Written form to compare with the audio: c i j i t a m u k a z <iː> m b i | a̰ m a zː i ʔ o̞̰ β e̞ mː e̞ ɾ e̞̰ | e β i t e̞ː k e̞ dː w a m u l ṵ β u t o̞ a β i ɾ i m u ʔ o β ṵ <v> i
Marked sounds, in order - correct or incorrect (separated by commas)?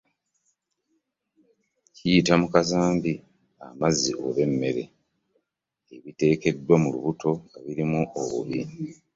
incorrect, incorrect